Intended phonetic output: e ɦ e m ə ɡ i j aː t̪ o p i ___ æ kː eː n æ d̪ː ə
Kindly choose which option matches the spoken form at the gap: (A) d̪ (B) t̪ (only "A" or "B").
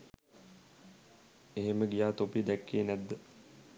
A